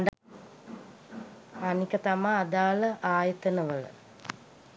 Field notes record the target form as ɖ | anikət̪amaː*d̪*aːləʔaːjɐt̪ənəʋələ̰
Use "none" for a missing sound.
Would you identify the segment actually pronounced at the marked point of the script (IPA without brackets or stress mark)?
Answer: d̪